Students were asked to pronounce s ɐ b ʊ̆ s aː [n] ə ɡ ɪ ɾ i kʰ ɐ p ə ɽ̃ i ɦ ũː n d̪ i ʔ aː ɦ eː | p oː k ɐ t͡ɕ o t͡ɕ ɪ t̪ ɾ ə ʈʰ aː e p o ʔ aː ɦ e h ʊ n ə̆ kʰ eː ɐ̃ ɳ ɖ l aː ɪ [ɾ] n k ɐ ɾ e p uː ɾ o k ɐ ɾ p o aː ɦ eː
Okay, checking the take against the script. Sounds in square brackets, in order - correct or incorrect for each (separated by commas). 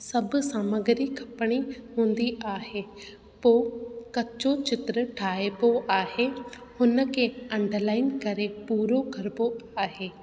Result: incorrect, incorrect